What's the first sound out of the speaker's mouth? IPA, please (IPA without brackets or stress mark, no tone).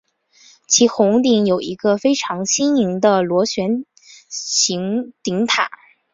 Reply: t͡ɕʰ